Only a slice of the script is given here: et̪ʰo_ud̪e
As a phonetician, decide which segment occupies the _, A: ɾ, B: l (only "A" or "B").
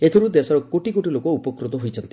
A